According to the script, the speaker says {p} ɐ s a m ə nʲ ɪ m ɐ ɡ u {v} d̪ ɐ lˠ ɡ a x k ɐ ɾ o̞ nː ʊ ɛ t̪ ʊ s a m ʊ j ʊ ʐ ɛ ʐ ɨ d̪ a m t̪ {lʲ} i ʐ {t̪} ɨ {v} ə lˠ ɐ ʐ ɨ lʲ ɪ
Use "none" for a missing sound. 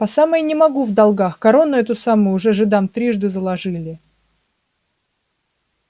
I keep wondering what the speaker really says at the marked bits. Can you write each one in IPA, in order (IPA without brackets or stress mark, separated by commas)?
p, v, ɾʲ, d̪, z